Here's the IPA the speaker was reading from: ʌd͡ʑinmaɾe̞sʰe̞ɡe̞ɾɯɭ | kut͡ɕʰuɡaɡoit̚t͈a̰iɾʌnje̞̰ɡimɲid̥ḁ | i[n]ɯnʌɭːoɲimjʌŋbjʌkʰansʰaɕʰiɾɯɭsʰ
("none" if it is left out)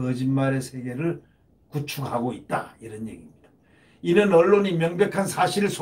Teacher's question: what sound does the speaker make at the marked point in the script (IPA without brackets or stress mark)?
n